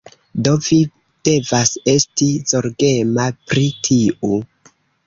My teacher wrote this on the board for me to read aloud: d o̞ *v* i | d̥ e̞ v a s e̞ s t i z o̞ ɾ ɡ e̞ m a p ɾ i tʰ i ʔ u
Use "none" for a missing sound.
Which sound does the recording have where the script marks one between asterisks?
v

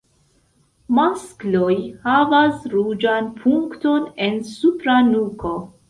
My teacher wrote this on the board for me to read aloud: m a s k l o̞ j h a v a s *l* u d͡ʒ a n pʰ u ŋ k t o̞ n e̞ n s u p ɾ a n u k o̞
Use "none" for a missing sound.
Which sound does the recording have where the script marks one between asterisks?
ɾ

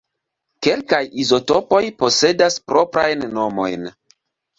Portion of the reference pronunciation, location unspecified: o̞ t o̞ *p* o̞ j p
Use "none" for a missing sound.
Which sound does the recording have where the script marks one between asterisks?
p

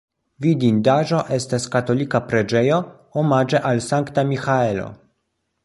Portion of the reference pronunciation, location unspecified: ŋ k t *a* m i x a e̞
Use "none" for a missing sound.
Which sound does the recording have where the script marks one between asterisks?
a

